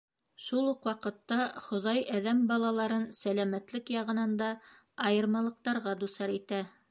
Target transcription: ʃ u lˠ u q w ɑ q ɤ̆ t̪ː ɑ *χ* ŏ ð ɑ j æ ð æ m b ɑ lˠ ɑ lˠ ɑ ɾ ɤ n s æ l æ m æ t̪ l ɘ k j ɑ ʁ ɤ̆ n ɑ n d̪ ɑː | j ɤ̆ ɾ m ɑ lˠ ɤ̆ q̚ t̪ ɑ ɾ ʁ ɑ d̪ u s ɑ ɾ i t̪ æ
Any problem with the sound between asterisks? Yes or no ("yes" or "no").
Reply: no